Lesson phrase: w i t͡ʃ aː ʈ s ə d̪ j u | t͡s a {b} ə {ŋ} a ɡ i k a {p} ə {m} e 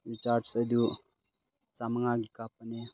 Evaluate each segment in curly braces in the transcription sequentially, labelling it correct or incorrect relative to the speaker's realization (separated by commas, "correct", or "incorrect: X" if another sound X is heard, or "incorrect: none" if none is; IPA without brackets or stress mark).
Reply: incorrect: m, correct, correct, incorrect: n